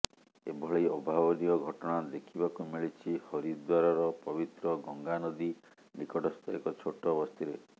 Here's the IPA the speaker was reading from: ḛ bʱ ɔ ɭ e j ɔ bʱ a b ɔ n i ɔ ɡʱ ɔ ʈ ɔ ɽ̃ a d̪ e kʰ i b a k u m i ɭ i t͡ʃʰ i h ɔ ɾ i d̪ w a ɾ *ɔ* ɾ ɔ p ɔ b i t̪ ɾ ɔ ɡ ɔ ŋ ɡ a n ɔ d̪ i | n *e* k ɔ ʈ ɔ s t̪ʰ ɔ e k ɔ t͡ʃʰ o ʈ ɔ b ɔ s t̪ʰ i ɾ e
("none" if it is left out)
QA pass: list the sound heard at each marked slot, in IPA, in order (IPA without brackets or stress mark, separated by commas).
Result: ɔ, i